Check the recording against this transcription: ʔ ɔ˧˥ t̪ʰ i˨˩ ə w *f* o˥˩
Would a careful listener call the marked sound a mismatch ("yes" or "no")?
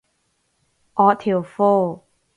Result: no